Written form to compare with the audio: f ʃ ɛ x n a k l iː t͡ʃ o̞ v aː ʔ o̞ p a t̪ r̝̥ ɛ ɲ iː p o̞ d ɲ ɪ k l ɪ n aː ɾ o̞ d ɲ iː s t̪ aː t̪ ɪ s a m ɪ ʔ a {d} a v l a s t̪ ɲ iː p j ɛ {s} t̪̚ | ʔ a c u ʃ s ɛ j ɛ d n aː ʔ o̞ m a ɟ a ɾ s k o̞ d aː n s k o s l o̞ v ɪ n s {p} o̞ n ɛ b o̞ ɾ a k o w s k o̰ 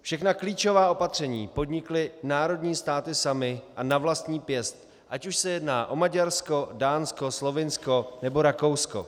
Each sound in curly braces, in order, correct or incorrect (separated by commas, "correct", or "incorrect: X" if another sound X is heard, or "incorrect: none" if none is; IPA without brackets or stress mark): incorrect: n, correct, incorrect: k